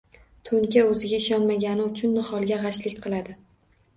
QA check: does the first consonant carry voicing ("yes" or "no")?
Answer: no